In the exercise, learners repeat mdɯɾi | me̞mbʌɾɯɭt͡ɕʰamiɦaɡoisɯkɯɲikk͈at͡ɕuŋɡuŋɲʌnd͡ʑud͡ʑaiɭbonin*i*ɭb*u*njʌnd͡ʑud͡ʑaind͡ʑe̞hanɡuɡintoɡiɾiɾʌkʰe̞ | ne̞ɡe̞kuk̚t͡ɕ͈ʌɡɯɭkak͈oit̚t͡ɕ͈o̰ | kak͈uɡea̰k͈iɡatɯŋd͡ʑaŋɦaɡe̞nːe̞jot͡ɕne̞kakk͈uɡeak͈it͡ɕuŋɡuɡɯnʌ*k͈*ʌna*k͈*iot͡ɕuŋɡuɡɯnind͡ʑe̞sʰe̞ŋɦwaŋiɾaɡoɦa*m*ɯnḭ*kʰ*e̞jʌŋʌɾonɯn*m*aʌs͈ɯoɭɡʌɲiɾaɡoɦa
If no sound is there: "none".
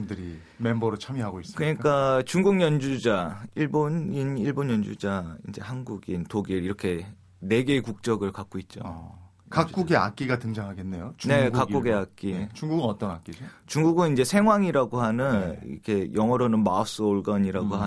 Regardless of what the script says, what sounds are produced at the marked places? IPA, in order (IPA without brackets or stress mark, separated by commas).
i, o, t͈, k͈, n, kʰ, m